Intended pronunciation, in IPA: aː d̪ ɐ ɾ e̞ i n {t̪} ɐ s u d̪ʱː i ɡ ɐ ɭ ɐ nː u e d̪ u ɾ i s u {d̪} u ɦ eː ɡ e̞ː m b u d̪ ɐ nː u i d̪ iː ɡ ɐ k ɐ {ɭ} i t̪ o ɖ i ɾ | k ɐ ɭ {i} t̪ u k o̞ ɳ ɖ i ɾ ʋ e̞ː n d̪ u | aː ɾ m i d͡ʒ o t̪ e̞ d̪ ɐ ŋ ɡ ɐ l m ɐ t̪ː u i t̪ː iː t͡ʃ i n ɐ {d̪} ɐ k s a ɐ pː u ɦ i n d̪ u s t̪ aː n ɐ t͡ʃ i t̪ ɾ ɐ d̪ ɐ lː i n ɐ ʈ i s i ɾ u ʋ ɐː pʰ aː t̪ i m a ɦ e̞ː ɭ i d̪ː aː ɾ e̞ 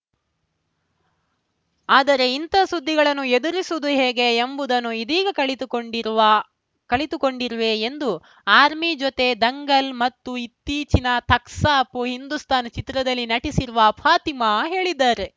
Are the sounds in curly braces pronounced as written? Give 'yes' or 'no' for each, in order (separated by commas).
yes, yes, yes, yes, no